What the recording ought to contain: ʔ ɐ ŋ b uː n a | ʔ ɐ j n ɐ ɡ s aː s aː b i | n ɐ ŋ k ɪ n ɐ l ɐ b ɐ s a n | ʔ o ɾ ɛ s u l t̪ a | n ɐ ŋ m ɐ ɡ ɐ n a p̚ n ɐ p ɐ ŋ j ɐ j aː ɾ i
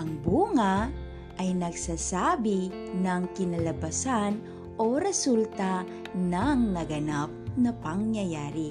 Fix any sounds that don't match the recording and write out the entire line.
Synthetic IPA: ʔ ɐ ŋ b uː ŋ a | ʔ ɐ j n ɐ ɡ s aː s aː b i | n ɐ ŋ k ɪ n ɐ l ɐ b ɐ s a n | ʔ o ɾ ɛ s u l t̪ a | n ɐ ŋ n ɐ ɡ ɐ n a p̚ n ɐ p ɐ ŋ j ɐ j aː ɾ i